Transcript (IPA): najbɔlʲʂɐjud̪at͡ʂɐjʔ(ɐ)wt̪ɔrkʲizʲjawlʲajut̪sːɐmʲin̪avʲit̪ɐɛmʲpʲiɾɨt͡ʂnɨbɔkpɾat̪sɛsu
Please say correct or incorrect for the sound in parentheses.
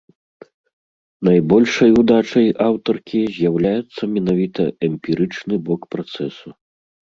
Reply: incorrect